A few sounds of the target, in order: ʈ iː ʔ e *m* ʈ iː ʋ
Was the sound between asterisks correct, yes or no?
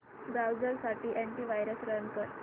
no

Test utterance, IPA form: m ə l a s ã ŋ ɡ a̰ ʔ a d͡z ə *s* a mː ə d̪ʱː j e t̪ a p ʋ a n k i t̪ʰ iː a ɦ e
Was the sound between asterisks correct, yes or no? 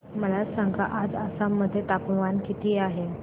yes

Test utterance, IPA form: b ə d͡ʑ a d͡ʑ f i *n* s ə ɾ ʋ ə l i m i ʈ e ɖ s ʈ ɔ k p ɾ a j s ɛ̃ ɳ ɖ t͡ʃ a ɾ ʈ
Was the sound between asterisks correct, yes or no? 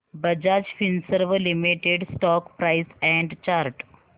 yes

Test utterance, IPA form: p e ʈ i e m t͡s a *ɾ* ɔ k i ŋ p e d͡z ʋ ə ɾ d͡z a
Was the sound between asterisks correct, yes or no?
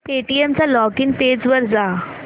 no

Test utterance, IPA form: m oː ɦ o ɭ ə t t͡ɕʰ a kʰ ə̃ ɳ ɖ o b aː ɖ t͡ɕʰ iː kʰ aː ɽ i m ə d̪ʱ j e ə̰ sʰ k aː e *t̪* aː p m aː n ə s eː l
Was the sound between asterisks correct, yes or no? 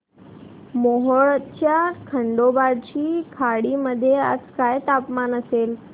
yes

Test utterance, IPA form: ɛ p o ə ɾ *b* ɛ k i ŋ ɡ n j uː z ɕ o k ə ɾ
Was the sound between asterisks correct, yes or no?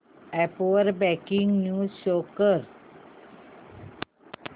yes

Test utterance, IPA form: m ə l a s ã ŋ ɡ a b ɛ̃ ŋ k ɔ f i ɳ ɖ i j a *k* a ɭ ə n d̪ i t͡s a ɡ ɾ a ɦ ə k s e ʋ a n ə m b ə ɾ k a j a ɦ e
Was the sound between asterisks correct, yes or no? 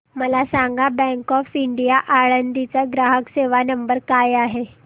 no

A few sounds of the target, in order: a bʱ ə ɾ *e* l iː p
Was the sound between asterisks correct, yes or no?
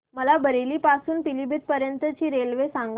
yes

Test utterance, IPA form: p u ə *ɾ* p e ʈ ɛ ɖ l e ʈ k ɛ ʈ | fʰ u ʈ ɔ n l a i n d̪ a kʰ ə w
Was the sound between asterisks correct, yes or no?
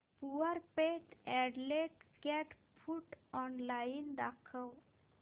yes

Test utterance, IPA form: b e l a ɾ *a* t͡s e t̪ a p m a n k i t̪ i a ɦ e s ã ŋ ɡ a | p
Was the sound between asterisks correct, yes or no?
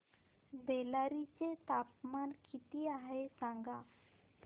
no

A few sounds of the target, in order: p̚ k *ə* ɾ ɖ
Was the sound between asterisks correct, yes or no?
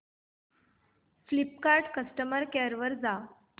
no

